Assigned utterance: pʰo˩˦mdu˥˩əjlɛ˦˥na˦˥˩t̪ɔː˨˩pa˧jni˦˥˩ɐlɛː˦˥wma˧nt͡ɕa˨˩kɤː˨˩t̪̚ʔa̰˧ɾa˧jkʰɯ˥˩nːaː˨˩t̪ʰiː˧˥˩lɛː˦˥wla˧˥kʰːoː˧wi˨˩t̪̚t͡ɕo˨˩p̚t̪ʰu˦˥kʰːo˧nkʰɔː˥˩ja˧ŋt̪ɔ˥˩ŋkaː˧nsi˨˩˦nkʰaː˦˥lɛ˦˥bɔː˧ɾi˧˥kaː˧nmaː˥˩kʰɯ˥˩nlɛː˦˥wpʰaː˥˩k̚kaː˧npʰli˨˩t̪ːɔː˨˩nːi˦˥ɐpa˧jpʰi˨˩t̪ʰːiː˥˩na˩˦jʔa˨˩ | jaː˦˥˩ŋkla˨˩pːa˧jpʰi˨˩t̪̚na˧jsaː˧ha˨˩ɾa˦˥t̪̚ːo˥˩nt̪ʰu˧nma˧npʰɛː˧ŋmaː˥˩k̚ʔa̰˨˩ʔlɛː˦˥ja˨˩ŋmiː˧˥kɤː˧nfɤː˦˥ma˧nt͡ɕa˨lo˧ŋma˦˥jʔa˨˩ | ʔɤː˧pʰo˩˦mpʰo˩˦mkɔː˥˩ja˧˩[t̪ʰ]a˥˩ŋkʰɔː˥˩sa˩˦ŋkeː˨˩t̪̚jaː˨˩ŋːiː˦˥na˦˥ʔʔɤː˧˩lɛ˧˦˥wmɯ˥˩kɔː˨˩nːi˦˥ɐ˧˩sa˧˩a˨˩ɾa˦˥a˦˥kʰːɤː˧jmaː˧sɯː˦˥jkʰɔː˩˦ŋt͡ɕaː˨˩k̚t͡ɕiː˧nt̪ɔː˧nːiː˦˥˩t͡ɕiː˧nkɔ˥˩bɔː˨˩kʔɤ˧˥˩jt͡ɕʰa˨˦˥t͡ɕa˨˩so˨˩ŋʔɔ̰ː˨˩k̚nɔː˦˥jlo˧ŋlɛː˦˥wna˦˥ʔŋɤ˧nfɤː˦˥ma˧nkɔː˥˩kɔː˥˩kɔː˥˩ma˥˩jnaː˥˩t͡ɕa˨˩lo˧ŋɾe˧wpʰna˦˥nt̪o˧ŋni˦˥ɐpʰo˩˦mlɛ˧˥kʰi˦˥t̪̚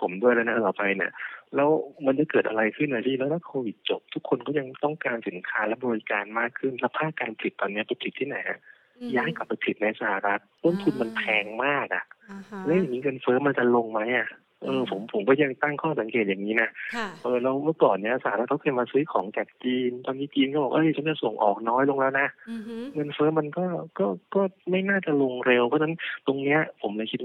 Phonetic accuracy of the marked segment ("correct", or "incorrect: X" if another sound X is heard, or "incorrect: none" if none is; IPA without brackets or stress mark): incorrect: t̪